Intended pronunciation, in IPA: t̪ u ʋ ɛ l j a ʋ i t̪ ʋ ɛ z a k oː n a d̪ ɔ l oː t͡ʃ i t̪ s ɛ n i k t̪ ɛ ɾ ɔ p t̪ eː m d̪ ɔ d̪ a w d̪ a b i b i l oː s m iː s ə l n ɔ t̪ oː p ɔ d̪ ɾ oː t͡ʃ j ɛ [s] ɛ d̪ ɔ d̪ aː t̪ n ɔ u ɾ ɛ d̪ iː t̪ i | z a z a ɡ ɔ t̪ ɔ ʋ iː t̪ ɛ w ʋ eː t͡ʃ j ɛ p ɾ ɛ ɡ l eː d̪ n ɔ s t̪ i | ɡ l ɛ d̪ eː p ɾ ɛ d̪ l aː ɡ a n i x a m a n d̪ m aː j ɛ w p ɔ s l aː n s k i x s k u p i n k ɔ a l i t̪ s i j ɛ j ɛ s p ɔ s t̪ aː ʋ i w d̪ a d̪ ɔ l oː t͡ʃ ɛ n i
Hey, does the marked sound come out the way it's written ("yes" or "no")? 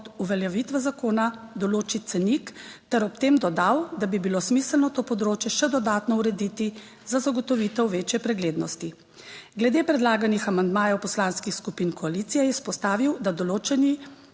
no